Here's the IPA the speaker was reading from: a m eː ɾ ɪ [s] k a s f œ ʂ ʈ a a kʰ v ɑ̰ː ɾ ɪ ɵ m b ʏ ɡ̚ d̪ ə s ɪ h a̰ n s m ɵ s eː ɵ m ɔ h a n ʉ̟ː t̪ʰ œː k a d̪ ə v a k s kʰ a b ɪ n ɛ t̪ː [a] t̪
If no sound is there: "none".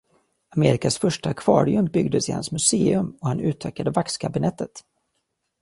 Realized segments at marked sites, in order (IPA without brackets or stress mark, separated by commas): none, ə